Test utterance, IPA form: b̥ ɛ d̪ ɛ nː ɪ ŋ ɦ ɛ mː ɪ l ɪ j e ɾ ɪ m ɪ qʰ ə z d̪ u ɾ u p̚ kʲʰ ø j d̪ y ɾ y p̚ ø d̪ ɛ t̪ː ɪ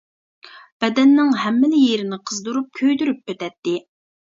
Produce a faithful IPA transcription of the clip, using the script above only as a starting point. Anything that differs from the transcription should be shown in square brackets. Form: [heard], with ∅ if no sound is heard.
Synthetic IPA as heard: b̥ ɛ d̪ ɛ nː ɪ ŋ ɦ ɛ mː ɪ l ɪ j e ɾ ɪ [n] ɪ qʰ ə z d̪ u ɾ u p̚ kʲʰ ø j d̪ y ɾ y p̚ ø [t̪] ɛ t̪ː ɪ